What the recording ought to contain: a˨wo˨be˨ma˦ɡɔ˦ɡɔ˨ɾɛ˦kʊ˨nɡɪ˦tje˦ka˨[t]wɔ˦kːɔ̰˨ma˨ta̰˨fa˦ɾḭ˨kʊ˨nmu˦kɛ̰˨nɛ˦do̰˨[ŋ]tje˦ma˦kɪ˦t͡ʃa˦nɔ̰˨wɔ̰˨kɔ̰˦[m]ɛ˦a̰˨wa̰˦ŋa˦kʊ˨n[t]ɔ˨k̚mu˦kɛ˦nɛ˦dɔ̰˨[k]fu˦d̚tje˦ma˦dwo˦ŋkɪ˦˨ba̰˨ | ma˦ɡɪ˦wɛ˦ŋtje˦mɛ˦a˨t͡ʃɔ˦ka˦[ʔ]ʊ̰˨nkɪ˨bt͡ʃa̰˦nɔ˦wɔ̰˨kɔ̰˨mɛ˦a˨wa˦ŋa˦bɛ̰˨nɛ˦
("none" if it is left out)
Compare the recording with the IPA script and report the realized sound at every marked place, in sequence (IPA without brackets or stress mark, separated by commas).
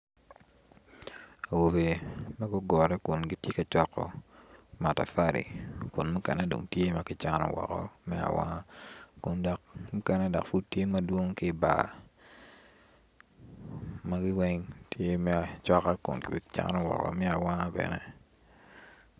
t͡ʃ, ŋ, m, d, k, k